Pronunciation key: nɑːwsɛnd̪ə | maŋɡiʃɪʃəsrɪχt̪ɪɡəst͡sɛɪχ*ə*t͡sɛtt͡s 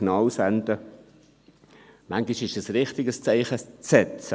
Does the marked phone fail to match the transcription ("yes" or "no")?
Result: no